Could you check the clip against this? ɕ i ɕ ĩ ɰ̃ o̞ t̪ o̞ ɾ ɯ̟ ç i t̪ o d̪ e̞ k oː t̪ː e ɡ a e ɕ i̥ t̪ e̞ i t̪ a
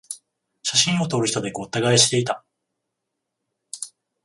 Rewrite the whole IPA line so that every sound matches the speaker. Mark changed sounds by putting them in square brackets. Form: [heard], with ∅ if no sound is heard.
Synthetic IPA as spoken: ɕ [a] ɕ ĩ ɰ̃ o̞ t̪ o̞ ɾ ɯ̟ ç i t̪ o d̪ e̞ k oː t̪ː [a] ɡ a e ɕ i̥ t̪ e̞ i t̪ a